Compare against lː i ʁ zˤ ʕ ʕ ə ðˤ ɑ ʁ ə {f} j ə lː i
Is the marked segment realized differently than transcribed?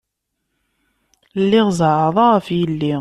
no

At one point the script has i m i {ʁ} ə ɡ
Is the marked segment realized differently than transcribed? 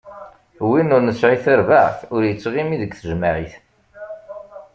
yes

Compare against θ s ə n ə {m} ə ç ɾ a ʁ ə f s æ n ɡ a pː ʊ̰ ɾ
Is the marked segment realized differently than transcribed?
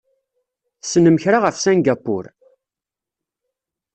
no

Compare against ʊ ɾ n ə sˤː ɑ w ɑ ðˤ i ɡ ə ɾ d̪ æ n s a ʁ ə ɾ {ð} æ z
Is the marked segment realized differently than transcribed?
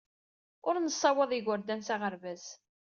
yes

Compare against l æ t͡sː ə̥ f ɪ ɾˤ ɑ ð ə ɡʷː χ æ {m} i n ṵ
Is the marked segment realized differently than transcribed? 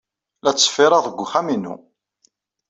no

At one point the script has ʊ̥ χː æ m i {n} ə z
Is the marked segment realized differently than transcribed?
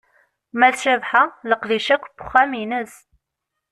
no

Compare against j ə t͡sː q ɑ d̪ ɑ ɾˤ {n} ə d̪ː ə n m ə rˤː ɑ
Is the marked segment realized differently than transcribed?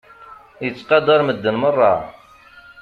yes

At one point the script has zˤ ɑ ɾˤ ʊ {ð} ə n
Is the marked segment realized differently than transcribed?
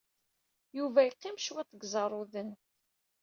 no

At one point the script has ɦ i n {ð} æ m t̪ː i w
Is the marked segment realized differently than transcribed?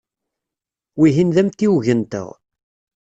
no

